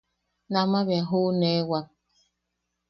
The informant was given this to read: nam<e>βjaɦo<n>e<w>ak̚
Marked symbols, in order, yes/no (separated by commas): no, yes, yes